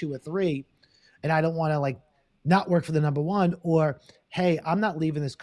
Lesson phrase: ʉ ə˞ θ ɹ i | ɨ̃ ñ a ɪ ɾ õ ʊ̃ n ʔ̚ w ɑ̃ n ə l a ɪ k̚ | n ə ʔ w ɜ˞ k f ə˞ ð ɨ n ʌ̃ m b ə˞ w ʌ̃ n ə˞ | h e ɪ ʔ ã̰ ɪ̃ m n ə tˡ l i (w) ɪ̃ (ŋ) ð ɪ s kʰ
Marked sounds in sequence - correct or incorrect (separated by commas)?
incorrect, correct